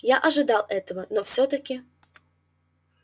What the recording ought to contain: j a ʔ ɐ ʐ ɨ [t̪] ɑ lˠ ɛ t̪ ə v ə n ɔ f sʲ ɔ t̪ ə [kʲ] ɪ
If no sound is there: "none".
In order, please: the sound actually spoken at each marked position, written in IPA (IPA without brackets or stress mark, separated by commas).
d̪, kʲ